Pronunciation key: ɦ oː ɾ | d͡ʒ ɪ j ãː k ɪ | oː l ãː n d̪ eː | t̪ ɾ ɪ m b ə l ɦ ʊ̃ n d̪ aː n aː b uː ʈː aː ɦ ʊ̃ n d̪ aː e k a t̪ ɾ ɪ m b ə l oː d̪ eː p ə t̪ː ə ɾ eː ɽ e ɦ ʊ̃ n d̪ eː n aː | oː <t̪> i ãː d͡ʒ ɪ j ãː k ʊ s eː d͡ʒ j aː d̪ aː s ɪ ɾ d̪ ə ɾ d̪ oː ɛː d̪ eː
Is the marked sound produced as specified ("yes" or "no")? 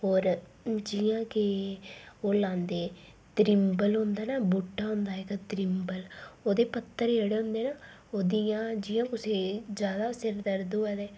no